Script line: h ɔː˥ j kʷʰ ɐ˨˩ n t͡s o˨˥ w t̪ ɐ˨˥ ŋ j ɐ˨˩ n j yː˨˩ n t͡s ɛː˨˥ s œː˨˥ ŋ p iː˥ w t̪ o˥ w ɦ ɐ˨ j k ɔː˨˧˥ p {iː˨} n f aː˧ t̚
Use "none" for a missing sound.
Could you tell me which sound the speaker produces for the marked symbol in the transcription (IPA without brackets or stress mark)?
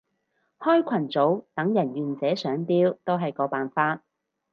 aː˨